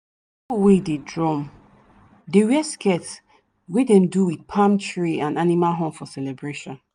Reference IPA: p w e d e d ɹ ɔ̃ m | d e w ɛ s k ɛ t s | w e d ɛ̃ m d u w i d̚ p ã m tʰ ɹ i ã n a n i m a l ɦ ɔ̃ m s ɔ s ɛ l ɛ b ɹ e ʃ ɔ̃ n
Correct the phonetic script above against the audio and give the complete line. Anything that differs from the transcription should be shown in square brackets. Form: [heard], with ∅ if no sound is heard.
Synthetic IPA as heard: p w e d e d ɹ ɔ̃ m | d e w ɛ s k ɛ t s | w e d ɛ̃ m d u w i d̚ [pʰ] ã m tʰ ɹ i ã n a n i m a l ɦ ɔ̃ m [f] ɔ s ɛ l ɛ b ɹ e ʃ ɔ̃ n